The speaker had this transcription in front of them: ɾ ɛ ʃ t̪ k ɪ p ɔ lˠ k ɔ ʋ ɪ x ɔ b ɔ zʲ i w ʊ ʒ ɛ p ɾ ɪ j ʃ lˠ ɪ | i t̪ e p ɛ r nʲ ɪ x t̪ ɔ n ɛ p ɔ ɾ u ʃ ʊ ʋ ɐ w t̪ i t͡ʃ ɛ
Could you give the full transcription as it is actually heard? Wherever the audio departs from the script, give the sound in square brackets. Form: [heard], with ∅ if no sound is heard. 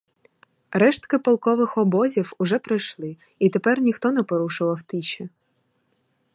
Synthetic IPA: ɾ ɛ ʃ t̪ k ɪ p ɔ lˠ k ɔ ʋ ɪ x ɔ b ɔ zʲ i w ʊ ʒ ɛ p ɾ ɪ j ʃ lˠ ɪ | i t̪ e p ɛ r nʲ [i] x t̪ ɔ n ɛ p ɔ ɾ u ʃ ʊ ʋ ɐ w t̪ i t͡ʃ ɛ